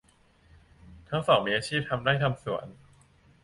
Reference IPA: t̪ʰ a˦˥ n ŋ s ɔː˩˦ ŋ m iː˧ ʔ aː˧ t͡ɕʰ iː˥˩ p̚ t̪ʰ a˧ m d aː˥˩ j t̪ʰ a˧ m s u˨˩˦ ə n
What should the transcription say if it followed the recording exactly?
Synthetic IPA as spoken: t̪ʰ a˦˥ ŋ s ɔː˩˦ ŋ m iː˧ ʔ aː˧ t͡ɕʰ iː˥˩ p̚ t̪ʰ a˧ m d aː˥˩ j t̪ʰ a˧ m s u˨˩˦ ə n